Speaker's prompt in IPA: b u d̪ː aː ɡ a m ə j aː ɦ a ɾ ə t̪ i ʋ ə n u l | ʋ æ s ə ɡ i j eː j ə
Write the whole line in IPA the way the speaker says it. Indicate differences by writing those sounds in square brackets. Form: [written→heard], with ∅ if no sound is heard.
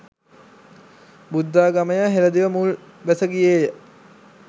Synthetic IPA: b u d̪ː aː ɡ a m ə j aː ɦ [a→e] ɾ ə [t̪→d̪] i ʋ ə [n→m] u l | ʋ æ s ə ɡ i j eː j ə